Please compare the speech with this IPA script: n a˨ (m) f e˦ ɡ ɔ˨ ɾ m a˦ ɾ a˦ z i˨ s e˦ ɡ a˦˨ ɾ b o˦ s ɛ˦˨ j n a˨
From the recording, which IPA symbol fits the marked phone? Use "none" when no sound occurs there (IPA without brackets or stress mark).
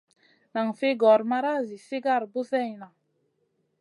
ŋ